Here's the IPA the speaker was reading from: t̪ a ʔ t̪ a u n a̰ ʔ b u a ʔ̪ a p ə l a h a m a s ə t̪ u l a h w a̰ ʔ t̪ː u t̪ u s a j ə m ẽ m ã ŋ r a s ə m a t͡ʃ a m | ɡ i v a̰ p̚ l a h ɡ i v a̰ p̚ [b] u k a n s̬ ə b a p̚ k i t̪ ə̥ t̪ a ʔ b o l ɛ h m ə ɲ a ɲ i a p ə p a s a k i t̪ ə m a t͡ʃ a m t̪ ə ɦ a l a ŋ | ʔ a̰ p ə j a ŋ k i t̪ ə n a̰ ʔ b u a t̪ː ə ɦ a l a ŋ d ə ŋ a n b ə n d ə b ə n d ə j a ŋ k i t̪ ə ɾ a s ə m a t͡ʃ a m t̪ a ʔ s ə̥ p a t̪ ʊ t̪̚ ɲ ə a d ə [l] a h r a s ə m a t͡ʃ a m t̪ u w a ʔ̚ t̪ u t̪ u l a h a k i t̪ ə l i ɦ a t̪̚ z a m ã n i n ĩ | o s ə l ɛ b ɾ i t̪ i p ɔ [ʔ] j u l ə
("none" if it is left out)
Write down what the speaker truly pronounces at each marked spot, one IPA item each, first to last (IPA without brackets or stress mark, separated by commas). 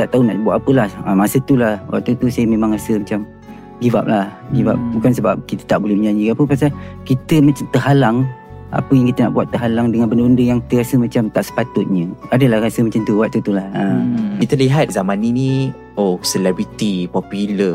b, l, p